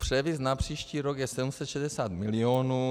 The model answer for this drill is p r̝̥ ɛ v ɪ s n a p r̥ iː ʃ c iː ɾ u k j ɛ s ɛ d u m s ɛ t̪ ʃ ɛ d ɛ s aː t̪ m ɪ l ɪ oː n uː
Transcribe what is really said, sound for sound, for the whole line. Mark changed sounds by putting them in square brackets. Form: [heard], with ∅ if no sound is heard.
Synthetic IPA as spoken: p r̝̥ ɛ v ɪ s n a p r̥ iː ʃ c iː ɾ [o] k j ɛ s ɛ d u m s ɛ t̪ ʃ ɛ d ɛ s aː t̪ m ɪ l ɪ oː n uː